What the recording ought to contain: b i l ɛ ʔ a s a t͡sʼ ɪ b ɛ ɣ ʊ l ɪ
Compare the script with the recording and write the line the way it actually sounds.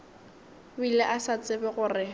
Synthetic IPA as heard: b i l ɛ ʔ a s a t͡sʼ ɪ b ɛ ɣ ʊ r ɪ